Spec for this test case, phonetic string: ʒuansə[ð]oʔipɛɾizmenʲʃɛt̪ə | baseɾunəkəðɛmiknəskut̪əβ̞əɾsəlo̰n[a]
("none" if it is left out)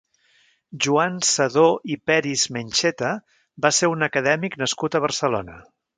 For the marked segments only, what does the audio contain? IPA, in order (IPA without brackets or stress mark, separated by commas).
ð, ə